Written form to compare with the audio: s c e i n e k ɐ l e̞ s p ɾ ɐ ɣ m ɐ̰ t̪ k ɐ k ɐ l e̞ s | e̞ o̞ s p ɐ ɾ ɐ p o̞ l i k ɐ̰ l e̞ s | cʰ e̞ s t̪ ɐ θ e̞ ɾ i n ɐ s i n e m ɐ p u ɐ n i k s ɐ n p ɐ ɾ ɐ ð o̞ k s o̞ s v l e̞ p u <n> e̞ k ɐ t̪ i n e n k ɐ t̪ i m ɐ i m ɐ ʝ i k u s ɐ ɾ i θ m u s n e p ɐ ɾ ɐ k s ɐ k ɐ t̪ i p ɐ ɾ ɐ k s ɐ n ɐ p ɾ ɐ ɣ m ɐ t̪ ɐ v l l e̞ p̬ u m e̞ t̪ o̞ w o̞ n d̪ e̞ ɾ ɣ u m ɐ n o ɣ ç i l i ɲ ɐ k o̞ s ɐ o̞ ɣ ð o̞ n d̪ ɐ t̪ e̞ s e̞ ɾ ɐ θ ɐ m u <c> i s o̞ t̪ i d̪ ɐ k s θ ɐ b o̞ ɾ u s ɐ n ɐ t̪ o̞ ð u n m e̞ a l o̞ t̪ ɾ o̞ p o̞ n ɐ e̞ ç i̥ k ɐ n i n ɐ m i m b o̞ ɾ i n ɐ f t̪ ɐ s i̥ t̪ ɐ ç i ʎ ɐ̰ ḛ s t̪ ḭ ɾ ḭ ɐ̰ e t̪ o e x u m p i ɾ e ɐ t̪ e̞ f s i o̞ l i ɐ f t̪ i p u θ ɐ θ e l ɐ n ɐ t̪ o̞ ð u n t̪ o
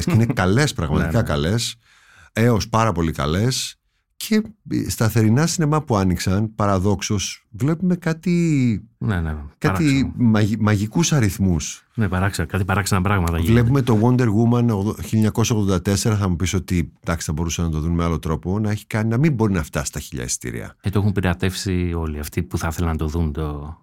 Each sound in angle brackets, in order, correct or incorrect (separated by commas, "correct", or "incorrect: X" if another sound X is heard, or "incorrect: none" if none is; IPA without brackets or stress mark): incorrect: m, incorrect: p